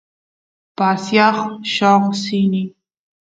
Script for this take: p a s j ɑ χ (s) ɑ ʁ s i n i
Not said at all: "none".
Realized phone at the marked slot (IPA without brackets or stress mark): ʃ